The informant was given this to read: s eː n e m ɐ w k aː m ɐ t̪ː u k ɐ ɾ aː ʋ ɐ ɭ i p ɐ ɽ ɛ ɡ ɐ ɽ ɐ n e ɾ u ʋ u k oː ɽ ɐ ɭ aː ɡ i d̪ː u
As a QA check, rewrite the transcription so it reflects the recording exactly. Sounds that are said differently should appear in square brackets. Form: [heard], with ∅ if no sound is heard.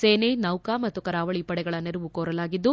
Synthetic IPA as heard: s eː n e [n] ɐ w k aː m ɐ t̪ː u k ɐ ɾ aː ʋ ɐ ɭ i p ɐ ɽ ɛ ɡ ɐ [ɭ] ɐ n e ɾ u ʋ u k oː [ɾ] ɐ [l] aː ɡ i d̪ː u

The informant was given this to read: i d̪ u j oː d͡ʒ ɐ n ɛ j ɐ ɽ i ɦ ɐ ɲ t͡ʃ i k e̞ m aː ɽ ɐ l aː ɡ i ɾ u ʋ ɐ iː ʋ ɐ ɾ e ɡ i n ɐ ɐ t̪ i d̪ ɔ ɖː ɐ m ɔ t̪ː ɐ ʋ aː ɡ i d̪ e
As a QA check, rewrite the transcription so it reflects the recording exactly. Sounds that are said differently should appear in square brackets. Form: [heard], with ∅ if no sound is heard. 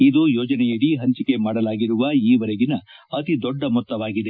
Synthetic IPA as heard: i d̪ u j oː d͡ʒ ɐ n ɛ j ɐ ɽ i ɦ ɐ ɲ t͡ʃ i k e̞ m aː ɽ ɐ l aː ɡ i ɾ u ʋ ɐ iː ʋ ɐ ɾ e ɡ i n ɐ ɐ t̪ i d̪ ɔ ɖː ɐ m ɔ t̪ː ɐ ʋ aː ɡ i d̪ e

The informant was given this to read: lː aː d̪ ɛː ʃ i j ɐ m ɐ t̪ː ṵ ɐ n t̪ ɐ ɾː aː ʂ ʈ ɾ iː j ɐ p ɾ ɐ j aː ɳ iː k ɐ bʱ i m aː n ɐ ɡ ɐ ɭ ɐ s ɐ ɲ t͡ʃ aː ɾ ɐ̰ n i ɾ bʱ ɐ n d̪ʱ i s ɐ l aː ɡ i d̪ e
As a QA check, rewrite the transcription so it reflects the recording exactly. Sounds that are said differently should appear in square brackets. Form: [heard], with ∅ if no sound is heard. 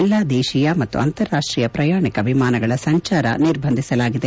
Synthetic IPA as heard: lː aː d̪ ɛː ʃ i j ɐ m ɐ t̪ː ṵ ɐ n t̪ ɐ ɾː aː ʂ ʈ ɾ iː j ɐ p ɾ ɐ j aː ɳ [i] k ɐ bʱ i m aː n ɐ ɡ ɐ ɭ ɐ s ɐ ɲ t͡ʃ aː ɾ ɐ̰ n i ɾ bʱ ɐ n d̪ʱ i s ɐ l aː ɡ i d̪ e

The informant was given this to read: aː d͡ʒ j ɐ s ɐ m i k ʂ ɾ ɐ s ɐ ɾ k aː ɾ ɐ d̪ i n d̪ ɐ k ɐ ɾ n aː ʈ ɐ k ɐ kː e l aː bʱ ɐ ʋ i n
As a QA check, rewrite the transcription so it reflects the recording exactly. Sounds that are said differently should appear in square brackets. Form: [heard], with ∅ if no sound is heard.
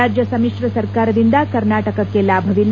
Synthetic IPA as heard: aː d͡ʒ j ɐ s ɐ m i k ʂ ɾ ɐ s ɐ ɾ k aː ɾ ɐ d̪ i n d̪ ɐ k ɐ ɾ n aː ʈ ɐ k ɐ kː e l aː bʱ ɐ ʋ i n

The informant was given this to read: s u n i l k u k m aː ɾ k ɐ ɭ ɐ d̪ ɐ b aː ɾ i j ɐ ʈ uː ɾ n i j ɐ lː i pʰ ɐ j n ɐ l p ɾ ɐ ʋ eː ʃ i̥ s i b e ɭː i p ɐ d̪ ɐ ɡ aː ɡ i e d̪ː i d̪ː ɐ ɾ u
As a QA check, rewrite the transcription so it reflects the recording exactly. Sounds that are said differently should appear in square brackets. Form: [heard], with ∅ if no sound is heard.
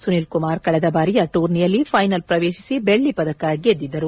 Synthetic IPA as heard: s u n i l k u [∅] m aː ɾ k ɐ ɭ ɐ d̪ ɐ b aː ɾ i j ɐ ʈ uː ɾ n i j ɐ lː i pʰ ɐ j n ɐ l p ɾ ɐ ʋ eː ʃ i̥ s i b e ɭː i p ɐ d̪ ɐ [k] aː ɡ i e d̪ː i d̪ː ɐ ɾ u

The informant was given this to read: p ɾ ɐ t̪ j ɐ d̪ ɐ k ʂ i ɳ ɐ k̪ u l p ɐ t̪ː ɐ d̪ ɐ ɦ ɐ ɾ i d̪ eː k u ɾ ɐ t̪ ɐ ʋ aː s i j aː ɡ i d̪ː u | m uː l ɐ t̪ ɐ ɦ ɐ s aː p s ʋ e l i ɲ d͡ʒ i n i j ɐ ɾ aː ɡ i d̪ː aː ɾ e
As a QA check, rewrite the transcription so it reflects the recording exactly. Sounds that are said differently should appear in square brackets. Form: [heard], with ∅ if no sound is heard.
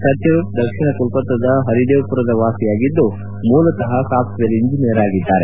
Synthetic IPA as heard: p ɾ ɐ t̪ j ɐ d̪ ɐ k ʂ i ɳ ɐ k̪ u l p ɐ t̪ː ɐ d̪ ɐ ɦ ɐ ɾ i d̪ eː [p] u ɾ ɐ [d̪] ɐ ʋ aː s i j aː ɡ i d̪ː u | m uː l ɐ t̪ ɐ ɦ ɐ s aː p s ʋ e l i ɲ d͡ʒ i n i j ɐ ɾ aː ɡ i d̪ː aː ɾ e

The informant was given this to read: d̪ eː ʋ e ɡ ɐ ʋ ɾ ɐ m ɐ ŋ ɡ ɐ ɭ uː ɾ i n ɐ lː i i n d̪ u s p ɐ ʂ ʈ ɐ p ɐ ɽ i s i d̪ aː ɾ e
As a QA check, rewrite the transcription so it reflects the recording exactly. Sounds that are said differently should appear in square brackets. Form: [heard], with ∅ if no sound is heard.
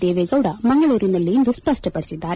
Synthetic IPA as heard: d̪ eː ʋ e ɡ ɐ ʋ [ɽ] ɐ m ɐ ŋ ɡ ɐ ɭ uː ɾ i n ɐ lː i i n d̪ u s p ɐ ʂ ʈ ɐ p ɐ ɽ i s i [d̪ː] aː ɾ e

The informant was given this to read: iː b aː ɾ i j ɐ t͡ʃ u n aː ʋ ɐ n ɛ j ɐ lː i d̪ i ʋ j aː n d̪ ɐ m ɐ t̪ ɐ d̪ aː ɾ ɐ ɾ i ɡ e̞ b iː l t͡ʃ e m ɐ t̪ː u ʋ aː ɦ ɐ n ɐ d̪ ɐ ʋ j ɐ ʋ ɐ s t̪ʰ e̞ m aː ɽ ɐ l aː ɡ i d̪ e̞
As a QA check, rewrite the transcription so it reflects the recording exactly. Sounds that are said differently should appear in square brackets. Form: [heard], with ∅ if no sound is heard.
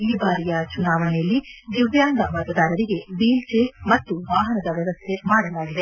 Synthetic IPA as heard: iː b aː ɾ i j ɐ t͡ʃ u n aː ʋ ɐ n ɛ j ɐ lː i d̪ i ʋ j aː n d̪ ɐ m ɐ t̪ ɐ d̪ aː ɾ ɐ ɾ i ɡ e̞ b iː l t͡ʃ e m ɐ t̪ː u ʋ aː ɦ ɐ n ɐ d̪ ɐ ʋ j ɐ ʋ ɐ s t̪ʰ e̞ m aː ɽ ɐ l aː ɡ i d̪ e̞

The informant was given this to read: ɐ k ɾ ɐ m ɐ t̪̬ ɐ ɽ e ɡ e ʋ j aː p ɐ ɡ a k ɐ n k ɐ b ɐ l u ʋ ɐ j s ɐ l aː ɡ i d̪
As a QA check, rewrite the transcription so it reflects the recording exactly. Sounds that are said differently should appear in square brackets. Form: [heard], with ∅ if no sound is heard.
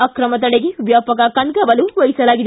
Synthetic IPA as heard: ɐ k ɾ ɐ m ɐ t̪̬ ɐ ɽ e ɡ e ʋ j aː p ɐ [k] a k ɐ n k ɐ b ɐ l u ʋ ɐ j s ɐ l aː ɡ i d̪

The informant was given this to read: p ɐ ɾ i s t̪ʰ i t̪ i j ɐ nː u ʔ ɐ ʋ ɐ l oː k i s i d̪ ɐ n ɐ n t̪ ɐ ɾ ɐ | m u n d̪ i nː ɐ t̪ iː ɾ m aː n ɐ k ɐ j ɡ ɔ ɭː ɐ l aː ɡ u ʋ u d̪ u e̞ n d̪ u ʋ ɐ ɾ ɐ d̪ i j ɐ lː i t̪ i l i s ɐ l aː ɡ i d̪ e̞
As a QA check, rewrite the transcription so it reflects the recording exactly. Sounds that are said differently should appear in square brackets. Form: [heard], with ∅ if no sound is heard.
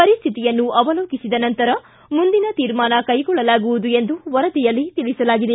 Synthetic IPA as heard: p ɐ ɾ i s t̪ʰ i t̪ i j ɐ nː u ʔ ɐ ʋ ɐ l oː k i s i d̪ ɐ n ɐ n t̪ ɐ ɾ ɐ | m u n d̪ i [n] ɐ t̪ iː ɾ m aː n ɐ k ɐ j ɡ ɔ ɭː ɐ l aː ɡ u ʋ u d̪ u e̞ n d̪ u ʋ ɐ ɾ ɐ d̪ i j ɐ lː i t̪ i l i s ɐ l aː ɡ i d̪ e̞

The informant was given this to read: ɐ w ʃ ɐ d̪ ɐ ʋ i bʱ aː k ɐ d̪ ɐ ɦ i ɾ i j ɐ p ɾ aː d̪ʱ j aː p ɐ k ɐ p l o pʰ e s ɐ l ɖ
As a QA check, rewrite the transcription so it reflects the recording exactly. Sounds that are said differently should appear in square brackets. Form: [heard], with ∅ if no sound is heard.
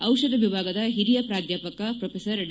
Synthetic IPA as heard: ɐ w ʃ ɐ d̪ ɐ ʋ i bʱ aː [ɡ] ɐ d̪ ɐ ɦ i ɾ i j ɐ p ɾ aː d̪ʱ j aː p ɐ k ɐ p [ɾ] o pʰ e s ɐ [ɾ] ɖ

